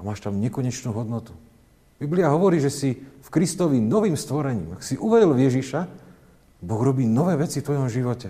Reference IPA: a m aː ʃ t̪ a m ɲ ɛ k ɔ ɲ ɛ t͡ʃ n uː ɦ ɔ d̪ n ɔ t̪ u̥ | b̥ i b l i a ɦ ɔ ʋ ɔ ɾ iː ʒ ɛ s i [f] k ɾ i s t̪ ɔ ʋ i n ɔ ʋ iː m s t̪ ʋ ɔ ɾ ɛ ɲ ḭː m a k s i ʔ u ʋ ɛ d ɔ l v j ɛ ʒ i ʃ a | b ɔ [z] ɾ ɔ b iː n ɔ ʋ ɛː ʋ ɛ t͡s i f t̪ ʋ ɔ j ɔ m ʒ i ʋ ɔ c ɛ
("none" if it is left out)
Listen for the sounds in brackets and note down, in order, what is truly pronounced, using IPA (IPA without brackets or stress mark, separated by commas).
f, ɣ